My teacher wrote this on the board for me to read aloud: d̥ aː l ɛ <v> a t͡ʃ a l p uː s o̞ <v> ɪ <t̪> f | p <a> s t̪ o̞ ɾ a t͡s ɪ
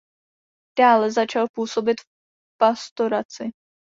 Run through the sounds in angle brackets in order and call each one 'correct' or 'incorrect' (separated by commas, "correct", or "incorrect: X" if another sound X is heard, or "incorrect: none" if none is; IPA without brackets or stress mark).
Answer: incorrect: z, incorrect: b, correct, correct